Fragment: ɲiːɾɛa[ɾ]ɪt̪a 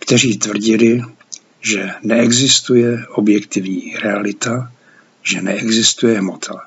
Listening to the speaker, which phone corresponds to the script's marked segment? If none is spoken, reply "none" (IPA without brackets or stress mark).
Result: l